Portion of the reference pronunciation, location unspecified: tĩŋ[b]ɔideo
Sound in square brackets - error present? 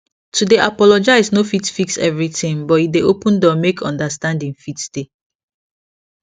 no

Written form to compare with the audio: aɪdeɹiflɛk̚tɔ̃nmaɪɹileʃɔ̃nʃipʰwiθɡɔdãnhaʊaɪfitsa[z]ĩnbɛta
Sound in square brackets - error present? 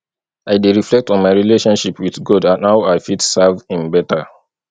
yes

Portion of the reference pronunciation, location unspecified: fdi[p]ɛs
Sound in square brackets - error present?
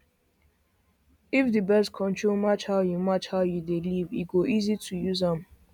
yes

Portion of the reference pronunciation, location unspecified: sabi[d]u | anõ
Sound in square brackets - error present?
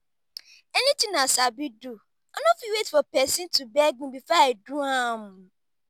no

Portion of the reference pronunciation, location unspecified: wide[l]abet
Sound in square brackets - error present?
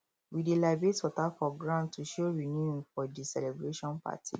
no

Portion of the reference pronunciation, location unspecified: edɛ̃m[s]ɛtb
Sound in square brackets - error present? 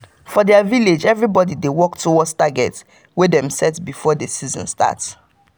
no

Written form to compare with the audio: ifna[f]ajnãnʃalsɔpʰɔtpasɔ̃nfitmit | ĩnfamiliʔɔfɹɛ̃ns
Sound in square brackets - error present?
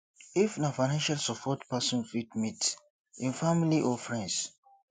no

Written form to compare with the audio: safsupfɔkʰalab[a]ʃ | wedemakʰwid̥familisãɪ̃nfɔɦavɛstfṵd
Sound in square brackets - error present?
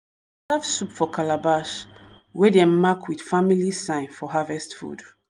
no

